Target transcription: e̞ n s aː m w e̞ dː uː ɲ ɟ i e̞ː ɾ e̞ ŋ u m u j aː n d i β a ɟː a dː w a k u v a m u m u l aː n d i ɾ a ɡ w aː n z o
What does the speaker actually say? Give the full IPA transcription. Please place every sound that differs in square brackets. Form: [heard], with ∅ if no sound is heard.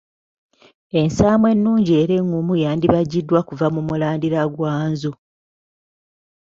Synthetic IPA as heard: e̞ n s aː m w e̞ [nː] uː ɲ ɟ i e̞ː ɾ e̞ ŋ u m u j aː n d i β a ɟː [i] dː w a k u v a m u m u l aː n d i ɾ a ɡ w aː n z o

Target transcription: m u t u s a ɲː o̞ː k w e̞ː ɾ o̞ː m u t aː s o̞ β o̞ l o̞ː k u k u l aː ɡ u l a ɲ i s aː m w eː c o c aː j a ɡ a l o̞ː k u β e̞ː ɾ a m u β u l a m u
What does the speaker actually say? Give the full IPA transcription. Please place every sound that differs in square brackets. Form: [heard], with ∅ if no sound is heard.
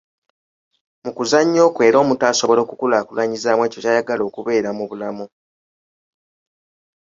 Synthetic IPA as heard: m u [k] u [z] a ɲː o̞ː k w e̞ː ɾ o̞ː m u t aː s o̞ β o̞ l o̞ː k u k u l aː [k] u l a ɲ i [z] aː m w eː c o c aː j a ɡ a l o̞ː k u β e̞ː ɾ a m u β u l a m u

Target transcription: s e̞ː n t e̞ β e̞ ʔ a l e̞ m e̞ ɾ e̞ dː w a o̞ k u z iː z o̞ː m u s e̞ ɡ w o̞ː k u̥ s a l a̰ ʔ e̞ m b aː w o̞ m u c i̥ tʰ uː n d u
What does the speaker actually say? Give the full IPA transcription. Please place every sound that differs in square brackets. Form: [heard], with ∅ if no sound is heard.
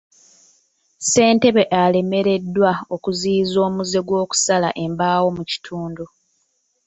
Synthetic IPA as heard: s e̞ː n t e̞ β e̞ ʔ a l e̞ m e̞ ɾ e̞ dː w a o̞ k u z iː z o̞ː m u [z] e̞ ɡ w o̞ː k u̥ s a l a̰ ʔ e̞ m b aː w o̞ m u c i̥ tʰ uː n d u

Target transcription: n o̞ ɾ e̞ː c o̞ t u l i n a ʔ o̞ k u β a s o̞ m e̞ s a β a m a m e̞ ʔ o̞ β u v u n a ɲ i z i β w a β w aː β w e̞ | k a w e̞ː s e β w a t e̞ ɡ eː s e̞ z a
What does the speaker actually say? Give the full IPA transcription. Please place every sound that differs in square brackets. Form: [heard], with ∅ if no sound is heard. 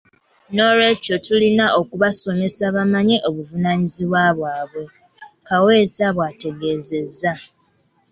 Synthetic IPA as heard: n o̞ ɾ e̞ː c o̞ t u l i n a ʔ o̞ k u β a s o̞ m e̞ s a β a m a [ɲ] e̞ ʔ o̞ β u v u n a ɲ i z i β w a β w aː β w e̞ | k a w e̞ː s [a] β w a t e̞ ɡ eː [z] e̞ z a

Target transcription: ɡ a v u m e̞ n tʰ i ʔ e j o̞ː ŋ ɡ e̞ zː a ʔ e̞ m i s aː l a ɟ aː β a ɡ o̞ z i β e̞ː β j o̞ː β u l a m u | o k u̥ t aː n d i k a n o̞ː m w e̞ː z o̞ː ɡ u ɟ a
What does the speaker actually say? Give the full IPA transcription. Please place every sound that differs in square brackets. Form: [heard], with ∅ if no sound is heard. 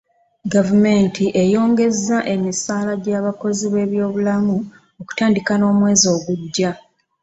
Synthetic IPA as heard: ɡ a v u m e̞ n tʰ i ʔ e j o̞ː ŋ ɡ e̞ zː a ʔ e̞ m i s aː l a ɟ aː β a [k] o̞ z i β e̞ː β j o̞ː β u l a m u | o k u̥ t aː n d i k a n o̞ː m w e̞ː z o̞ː ɡ u [ɟː] a

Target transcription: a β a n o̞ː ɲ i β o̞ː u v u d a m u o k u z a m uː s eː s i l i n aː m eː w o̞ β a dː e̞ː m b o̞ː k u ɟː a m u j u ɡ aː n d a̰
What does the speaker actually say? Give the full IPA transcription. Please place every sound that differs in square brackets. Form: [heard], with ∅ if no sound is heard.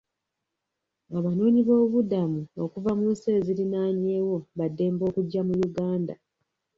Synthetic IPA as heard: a β a n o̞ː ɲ i β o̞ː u [β] u d a m u o k u [v] a m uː s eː [z] i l i n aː [ɲ] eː w o̞ β a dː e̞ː m b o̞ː k u ɟː a m u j u ɡ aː n d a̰

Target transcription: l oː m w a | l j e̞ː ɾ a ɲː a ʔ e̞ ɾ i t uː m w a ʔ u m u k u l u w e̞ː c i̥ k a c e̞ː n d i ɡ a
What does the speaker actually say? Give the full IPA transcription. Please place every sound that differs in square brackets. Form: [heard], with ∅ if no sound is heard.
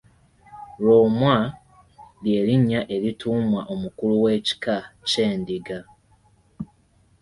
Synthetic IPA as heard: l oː m w a | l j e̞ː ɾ [i] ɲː a ʔ e̞ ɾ i t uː m w a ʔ [o] m u k u l u w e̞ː c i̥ k a c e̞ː n d i ɡ a

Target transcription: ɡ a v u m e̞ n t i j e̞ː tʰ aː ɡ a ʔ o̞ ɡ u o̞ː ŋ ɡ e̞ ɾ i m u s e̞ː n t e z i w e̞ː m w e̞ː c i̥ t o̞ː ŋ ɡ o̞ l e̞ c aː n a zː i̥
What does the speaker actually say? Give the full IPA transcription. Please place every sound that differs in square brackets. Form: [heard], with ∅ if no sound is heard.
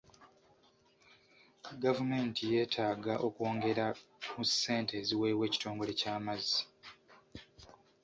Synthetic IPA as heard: ɡ a v u m e̞ n t i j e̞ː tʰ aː ɡ a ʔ o̞ [k] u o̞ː ŋ ɡ e̞ ɾ [a] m u s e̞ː n t e z i w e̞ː [∅] w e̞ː c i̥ t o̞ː ŋ ɡ o̞ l e̞ c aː [m] a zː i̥

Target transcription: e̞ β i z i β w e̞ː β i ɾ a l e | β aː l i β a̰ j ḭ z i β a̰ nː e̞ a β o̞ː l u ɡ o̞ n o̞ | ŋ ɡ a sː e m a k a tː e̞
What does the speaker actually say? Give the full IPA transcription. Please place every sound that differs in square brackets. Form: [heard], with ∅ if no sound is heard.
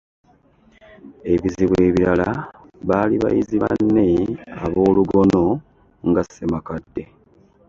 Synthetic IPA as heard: e̞ β i z i β w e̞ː β i ɾ a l [a] | β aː l i β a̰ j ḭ z i β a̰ nː e̞ a β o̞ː l u ɡ o̞ n o̞ | ŋ ɡ a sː e m a k a [dː] e̞

